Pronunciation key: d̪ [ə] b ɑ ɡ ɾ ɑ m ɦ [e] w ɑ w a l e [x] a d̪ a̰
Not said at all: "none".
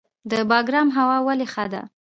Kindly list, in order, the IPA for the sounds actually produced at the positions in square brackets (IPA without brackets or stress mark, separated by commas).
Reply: ə, a, x